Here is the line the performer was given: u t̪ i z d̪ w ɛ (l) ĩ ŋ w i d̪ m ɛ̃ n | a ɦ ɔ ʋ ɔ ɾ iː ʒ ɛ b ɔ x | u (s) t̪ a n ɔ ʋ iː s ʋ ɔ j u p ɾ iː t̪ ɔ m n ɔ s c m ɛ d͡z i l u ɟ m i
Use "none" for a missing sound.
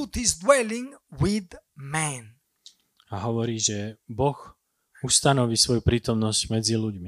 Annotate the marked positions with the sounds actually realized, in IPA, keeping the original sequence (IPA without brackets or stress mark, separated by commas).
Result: l, s